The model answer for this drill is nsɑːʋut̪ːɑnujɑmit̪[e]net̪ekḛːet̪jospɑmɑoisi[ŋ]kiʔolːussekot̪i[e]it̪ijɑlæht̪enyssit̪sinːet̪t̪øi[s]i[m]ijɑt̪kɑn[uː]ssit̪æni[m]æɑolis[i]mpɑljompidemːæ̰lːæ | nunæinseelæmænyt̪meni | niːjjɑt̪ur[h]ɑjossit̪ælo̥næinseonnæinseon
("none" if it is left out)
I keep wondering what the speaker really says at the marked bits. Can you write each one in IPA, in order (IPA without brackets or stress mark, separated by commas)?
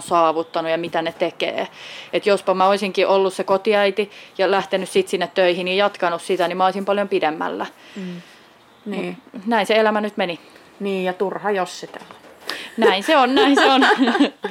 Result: æ, ŋ, æ, h, n, u, m, i, h